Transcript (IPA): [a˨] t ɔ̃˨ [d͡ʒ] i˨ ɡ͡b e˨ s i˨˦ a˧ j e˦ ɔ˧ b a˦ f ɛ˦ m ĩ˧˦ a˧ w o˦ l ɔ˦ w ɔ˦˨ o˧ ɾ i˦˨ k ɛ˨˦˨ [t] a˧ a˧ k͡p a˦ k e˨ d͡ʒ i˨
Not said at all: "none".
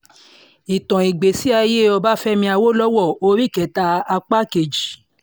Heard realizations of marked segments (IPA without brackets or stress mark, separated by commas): i˨, none, t